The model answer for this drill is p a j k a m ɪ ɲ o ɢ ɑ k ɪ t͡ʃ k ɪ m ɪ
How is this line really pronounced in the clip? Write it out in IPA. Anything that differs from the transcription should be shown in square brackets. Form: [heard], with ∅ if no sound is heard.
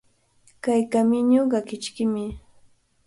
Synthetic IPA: [k] a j k a m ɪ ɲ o ɢ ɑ k ɪ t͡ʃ k ɪ m ɪ